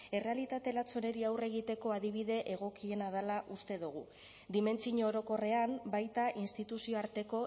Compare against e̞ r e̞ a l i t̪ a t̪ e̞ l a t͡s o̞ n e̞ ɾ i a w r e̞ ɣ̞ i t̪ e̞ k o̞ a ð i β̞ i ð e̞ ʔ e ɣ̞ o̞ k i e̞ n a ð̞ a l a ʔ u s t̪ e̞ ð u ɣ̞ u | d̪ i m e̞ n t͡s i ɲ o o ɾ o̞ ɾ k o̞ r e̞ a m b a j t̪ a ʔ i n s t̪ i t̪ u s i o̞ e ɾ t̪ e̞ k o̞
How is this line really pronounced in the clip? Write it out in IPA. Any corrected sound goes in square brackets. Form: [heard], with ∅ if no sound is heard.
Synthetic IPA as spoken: e̞ r e̞ a l i t̪ a t̪ e̞ l a t͡s o̞ n e̞ ɾ i a w r e̞ ɣ̞ i t̪ e̞ k o̞ a ð i β̞ i ð e̞ ʔ e ɣ̞ o̞ k i e̞ n a ð̞ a l a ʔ u s t̪ e̞ ð u ɣ̞ u | d̪ i m e̞ n t͡s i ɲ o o ɾ o̞ [∅] k o̞ r e̞ a m b a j t̪ a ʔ i n s t̪ i t̪ u s i o̞ [a] ɾ t̪ e̞ k o̞